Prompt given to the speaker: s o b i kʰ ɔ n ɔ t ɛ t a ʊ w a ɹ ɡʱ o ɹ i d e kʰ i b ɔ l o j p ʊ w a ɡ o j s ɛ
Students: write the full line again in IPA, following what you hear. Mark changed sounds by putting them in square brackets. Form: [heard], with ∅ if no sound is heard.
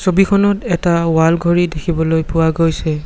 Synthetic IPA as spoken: s o b i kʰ ɔ n ɔ t ɛ t a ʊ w a [l] ɡʱ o ɹ i d e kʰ i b ɔ l o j p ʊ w a ɡ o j s ɛ